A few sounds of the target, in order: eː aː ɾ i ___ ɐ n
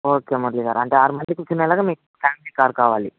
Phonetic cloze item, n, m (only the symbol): m